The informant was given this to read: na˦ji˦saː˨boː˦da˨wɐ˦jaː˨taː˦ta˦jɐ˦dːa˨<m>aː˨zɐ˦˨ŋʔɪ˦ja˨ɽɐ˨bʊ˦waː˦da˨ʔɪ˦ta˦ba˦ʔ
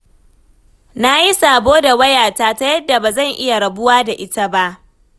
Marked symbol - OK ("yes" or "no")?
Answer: no